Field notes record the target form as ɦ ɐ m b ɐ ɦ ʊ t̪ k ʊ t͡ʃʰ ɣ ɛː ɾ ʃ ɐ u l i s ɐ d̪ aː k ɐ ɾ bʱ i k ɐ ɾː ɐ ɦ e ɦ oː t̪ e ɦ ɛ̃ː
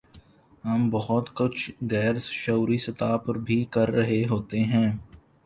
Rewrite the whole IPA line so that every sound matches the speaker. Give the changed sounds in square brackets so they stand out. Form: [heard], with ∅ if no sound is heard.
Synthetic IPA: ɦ ɐ m b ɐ ɦ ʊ t̪ k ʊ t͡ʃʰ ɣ ɛː ɾ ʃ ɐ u [ɾ] i s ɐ [t̪] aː [p] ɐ ɾ bʱ i k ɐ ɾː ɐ ɦ e ɦ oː t̪ e ɦ ɛ̃ː